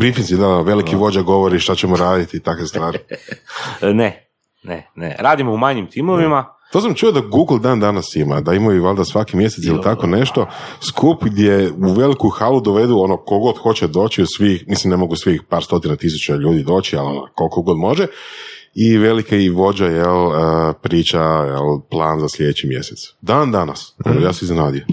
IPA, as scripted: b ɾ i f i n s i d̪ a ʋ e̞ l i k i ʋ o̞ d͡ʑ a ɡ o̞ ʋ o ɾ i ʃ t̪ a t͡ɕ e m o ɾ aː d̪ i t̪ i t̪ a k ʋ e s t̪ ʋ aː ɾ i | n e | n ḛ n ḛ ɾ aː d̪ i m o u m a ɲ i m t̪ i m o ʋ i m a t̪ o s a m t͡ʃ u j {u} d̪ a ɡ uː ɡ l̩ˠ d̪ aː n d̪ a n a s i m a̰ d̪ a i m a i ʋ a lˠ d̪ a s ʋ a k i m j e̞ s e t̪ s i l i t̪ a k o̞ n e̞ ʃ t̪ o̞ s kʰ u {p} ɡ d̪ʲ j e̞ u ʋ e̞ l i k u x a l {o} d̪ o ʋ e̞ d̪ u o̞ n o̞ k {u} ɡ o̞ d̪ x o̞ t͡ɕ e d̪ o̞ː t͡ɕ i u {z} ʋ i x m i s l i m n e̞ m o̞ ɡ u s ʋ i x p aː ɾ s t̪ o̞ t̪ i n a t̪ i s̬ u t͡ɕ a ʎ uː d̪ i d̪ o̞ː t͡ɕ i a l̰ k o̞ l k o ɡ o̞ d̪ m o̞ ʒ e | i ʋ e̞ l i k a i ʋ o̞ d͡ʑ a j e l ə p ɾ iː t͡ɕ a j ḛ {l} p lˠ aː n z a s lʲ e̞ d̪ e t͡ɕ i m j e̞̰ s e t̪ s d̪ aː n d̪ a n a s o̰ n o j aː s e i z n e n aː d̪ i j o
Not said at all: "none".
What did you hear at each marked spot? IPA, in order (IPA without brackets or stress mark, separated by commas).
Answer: o, p, u, o, s, l